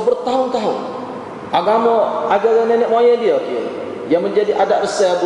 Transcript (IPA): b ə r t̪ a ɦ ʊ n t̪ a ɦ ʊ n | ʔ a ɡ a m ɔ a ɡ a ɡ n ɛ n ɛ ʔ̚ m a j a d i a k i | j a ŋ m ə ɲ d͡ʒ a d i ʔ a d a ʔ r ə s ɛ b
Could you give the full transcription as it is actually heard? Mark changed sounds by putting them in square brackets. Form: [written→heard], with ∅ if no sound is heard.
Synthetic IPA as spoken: b ə r t̪ a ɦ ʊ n t̪ a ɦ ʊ n | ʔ a ɡ a m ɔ a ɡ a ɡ n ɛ n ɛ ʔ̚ m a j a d i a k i | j a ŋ m ə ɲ d͡ʒ a d i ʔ a d a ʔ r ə s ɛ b